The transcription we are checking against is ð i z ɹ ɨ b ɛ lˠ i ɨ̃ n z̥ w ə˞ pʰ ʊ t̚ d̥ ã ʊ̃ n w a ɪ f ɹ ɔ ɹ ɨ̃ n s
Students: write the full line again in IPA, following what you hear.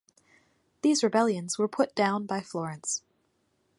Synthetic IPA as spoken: ð i z ɹ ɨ b ɛ lˠ j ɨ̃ n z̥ w ə˞ pʰ ʊ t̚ d̥ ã ʊ̃ n b a ɪ f l ɔ ɹ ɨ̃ n s